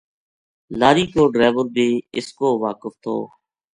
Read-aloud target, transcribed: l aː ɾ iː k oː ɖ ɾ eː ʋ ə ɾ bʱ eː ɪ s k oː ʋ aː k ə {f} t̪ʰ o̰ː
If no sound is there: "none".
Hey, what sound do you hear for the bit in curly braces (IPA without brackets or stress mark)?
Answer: f